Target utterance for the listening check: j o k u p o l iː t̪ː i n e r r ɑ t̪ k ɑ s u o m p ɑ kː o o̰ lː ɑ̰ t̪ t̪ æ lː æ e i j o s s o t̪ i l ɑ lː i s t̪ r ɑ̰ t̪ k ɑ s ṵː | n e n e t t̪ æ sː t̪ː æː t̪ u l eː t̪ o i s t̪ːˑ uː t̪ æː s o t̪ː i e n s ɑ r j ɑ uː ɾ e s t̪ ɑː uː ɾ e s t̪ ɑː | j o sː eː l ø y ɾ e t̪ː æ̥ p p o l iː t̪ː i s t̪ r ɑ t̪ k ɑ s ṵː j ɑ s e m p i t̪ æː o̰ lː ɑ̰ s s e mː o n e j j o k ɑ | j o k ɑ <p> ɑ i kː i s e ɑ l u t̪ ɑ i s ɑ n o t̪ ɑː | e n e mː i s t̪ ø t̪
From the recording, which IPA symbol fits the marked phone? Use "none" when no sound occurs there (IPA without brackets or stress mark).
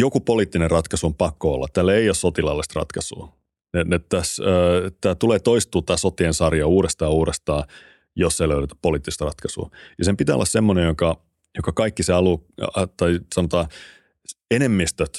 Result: k